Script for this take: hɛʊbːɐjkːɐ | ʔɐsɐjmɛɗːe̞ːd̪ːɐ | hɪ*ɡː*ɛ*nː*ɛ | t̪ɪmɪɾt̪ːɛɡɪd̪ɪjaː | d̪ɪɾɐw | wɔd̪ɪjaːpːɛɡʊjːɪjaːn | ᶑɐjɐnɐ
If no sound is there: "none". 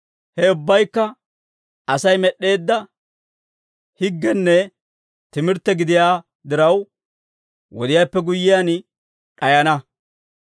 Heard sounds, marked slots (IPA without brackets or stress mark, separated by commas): ɡː, nː